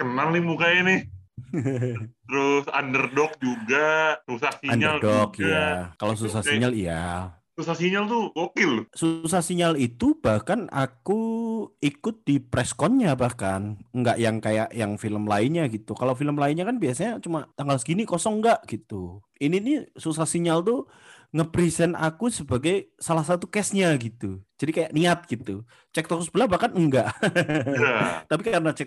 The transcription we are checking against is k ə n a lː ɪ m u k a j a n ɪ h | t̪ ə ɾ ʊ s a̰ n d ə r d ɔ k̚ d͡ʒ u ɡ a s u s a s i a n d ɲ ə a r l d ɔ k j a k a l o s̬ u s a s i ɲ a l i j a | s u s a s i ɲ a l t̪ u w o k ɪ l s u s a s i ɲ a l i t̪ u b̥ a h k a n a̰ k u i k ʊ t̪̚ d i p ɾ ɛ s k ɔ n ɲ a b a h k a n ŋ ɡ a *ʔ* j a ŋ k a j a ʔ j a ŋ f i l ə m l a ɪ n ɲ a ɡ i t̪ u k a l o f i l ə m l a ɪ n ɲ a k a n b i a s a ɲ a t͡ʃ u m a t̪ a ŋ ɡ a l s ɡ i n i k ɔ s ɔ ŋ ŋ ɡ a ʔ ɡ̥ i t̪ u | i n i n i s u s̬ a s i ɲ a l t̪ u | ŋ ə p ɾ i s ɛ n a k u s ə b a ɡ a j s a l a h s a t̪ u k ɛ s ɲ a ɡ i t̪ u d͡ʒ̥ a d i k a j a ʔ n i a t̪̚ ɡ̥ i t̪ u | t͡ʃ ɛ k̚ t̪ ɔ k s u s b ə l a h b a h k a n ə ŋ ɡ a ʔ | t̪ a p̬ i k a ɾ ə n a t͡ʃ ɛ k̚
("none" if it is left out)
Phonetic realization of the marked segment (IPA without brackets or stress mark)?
ʔ